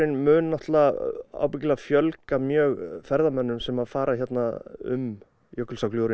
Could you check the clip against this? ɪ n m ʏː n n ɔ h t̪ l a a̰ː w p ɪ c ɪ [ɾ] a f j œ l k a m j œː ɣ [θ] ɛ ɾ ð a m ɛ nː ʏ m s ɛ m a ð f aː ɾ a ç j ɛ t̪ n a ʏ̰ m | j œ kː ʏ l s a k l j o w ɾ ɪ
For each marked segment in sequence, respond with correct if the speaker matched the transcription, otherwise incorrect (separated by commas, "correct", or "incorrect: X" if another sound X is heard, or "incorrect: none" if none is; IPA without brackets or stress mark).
incorrect: l, incorrect: f